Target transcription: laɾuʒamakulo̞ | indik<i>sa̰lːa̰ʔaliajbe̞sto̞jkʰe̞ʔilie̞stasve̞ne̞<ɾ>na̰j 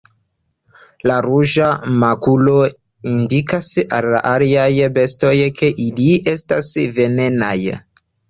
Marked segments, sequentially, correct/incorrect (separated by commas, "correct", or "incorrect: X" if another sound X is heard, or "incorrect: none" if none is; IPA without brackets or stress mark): incorrect: a, incorrect: none